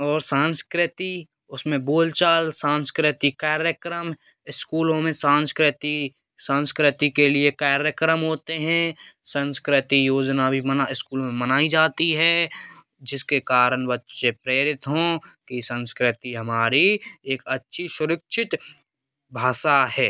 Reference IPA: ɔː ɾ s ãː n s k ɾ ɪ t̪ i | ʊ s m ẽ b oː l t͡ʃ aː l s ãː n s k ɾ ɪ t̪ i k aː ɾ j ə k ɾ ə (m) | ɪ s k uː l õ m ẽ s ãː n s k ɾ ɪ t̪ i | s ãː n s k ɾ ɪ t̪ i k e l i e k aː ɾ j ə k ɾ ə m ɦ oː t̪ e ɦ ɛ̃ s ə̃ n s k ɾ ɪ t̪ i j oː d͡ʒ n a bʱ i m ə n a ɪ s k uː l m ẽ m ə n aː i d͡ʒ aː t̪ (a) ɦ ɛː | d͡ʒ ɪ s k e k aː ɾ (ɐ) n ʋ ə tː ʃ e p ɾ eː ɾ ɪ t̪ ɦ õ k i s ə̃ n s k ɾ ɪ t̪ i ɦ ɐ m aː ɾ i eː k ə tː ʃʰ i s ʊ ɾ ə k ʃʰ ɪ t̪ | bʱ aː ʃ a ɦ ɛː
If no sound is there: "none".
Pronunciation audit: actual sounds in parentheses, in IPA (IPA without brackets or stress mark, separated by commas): m, i, ə